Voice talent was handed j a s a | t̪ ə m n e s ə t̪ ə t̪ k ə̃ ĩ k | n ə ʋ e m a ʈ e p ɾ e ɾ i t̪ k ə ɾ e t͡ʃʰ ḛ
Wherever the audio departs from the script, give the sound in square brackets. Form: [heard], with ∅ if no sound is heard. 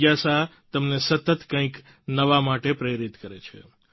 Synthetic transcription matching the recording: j a s a | t̪ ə m n e s ə t̪ ə t̪ k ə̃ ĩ k | n ə ʋ [a] m a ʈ e p ɾ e ɾ i t̪ k ə ɾ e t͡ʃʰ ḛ

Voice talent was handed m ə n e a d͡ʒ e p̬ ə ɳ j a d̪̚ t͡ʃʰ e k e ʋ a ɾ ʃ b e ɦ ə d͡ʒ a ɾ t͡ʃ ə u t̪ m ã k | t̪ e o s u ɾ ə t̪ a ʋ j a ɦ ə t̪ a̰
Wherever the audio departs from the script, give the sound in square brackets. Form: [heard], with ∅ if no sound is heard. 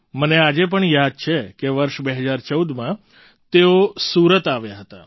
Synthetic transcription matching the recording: m ə n e a d͡ʒ e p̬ ə ɳ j a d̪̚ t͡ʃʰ e k e ʋ [ə] ɾ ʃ b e ɦ ə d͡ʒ a ɾ t͡ʃ ə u [d̪] m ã [∅] | t̪ e o s u ɾ ə t̪ a ʋ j a ɦ ə t̪ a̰

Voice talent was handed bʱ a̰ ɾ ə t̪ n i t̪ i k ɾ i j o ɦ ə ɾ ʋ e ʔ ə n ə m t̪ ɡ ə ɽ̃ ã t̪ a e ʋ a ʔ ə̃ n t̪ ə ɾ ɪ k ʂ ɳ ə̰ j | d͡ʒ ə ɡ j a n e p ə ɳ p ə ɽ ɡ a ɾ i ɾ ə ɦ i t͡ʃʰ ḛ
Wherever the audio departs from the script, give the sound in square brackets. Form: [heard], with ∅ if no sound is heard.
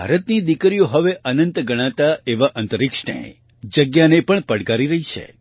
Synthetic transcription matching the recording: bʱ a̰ ɾ ə t̪ n i [d̪] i k ɾ i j o ɦ ə [∅] ʋ e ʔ ə n ə [n] t̪ ɡ ə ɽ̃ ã t̪ a e ʋ a ʔ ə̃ n t̪ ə ɾ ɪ k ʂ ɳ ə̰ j | d͡ʒ ə ɡ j a n e p ə ɳ p ə ɽ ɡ a ɾ i ɾ ə ɦ i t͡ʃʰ ḛ

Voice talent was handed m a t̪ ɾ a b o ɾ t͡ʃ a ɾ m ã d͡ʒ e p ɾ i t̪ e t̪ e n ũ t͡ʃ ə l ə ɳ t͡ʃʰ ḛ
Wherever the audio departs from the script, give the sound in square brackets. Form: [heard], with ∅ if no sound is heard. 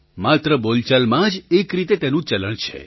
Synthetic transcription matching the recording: m a t̪ ɾ [ə] b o [l] t͡ʃ a [l] m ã d͡ʒ e [k] ɾ i t̪ e t̪ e n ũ t͡ʃ ə l ə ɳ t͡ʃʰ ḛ

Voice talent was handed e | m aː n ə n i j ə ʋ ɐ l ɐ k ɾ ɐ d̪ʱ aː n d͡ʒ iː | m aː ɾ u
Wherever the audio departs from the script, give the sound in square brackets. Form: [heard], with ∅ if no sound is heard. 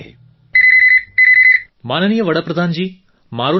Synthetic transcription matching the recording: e | m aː n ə n i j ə ʋ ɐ [ɽ] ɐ [p] ɾ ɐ d̪ʱ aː n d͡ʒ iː | m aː ɾ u

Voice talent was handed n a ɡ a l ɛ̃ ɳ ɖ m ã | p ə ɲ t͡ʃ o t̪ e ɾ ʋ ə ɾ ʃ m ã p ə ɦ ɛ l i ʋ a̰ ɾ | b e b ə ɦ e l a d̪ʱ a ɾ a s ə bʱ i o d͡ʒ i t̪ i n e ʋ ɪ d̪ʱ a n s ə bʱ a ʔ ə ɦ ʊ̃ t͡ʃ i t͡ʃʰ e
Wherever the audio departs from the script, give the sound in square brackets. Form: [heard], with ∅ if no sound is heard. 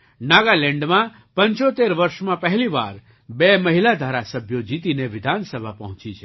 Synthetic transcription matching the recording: n a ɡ a l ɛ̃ ɳ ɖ m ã | p ə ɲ t͡ʃ o t̪ e ɾ ʋ ə ɾ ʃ m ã p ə ɦ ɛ l i ʋ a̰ ɾ | b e [m] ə ɦ [i] l a d̪ʱ a ɾ a s ə bʱ [j] o d͡ʒ i t̪ i n e ʋ ɪ d̪ʱ a n s ə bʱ a [p] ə ɦ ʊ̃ t͡ʃ i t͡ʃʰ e

